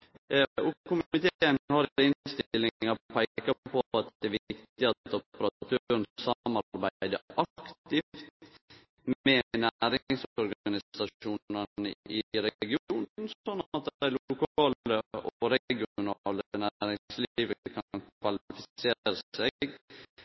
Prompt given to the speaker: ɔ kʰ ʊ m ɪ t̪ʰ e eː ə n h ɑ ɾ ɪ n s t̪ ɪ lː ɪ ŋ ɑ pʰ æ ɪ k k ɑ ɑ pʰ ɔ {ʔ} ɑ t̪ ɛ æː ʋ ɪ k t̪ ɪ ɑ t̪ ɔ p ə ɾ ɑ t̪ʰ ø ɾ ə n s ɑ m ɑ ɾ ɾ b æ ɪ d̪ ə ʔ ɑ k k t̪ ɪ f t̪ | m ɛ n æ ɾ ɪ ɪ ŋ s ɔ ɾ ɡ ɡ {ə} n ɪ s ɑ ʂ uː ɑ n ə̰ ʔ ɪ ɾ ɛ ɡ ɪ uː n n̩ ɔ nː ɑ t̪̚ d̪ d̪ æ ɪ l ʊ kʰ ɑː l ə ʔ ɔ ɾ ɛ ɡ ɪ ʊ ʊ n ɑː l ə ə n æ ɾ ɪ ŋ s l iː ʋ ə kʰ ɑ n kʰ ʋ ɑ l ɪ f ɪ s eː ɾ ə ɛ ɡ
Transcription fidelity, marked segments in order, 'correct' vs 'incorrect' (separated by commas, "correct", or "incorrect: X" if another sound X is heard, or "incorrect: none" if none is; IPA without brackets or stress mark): incorrect: p, incorrect: ɑ